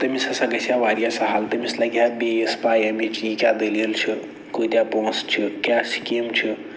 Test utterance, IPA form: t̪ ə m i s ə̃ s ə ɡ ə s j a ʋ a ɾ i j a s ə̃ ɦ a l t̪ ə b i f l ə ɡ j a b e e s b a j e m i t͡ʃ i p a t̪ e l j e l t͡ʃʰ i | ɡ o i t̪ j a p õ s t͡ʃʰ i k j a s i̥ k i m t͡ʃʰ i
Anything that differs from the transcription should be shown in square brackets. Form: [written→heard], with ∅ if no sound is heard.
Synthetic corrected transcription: t̪ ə m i s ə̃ s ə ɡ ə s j a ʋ a ɾ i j a s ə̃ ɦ a l t̪ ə [b→m] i [f→s] l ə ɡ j a b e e s [b→p] a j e m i t͡ʃ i [p→k] a [t̪→d̪] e l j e l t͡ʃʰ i | [ɡ→k] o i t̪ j a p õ s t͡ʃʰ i k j a s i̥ k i m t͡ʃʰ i